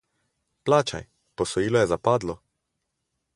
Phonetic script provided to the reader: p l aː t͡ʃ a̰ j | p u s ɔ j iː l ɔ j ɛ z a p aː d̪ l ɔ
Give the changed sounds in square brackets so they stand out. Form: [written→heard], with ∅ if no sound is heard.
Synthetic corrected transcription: p l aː t͡ʃ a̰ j | p [u→ɔ] s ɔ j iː l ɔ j ɛ z a p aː d̪ l ɔ